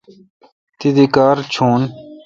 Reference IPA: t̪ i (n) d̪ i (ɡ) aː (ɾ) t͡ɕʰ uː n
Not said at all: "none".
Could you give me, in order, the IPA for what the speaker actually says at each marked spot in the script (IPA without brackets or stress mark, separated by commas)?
none, k, ɾ